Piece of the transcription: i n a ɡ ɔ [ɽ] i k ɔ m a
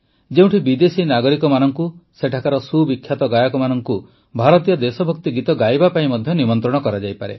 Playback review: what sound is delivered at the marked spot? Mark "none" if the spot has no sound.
ɾ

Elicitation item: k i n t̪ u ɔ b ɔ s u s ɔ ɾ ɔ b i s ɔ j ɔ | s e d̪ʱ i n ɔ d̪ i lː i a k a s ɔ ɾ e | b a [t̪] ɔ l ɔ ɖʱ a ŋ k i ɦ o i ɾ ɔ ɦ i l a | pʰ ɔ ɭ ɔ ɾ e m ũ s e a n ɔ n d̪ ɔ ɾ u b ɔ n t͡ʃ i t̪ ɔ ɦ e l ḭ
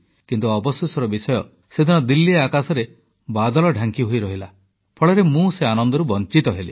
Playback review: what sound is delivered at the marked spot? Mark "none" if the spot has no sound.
d̪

